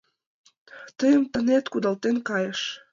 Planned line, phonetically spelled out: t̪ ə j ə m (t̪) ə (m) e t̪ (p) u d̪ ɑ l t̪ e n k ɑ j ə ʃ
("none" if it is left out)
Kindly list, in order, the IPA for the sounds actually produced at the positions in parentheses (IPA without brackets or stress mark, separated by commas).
t̪, n, k